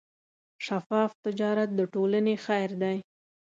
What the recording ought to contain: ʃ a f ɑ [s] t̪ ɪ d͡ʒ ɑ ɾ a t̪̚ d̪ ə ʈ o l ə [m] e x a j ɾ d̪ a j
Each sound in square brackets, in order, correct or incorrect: incorrect, incorrect

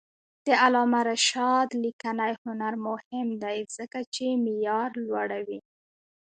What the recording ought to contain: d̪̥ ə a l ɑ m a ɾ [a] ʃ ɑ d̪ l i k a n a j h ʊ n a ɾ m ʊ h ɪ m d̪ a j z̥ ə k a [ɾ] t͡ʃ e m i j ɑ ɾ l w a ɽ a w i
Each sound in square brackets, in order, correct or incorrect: correct, incorrect

